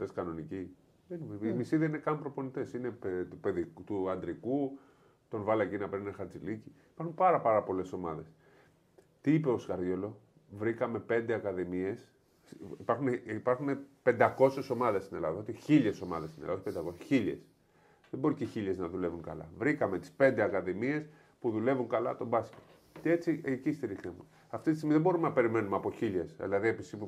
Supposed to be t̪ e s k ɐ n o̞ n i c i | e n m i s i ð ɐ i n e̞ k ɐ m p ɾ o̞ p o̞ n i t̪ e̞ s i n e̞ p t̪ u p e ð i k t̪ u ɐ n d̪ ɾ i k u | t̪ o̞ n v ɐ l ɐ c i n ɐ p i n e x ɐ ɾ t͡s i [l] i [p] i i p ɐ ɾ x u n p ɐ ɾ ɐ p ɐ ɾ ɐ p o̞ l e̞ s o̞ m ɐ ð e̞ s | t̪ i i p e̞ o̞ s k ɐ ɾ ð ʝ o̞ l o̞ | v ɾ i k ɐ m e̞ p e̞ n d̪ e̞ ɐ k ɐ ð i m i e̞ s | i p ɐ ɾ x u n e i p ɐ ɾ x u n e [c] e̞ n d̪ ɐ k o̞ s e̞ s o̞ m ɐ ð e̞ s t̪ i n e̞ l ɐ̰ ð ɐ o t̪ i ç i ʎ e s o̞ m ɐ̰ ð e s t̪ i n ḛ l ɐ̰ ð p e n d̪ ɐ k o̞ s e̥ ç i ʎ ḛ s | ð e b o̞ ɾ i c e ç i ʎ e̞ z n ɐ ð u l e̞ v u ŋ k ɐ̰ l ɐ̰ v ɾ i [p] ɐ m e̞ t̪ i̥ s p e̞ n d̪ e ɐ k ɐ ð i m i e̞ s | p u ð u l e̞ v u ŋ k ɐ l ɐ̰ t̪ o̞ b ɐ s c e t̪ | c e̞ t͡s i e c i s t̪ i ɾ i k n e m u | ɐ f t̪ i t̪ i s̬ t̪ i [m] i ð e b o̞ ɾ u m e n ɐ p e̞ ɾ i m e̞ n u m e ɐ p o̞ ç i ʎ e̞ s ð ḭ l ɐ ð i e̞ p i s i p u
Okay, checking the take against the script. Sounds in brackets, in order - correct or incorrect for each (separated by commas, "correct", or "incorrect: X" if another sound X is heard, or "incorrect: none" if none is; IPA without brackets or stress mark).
correct, incorrect: c, incorrect: p, incorrect: k, correct